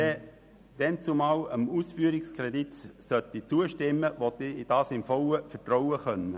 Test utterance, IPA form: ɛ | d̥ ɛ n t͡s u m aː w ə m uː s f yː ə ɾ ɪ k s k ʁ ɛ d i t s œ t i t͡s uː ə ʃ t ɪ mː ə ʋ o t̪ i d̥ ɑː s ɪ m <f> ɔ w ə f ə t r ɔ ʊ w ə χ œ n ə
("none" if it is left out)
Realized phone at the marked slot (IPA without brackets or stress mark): f